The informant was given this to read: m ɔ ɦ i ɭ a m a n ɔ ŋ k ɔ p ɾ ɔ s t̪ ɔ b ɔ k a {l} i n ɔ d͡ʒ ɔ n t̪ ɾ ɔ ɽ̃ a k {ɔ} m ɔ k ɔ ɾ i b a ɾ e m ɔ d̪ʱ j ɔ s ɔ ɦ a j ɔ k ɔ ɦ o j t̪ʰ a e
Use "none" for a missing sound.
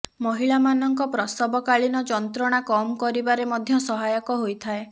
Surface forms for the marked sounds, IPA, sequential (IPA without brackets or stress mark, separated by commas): ɭ, ɔ